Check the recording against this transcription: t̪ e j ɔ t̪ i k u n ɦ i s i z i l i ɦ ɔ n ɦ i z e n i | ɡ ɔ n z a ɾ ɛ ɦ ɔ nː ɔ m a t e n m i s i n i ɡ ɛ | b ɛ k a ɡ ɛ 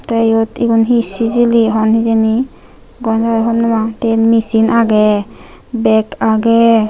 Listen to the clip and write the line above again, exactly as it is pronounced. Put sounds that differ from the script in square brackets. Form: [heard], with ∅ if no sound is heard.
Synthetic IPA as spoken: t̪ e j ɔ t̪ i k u n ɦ i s i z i l i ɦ ɔ n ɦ i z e n i | ɡ ɔ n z a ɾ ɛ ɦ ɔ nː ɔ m a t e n m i s i n [a] ɡ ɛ | b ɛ k a ɡ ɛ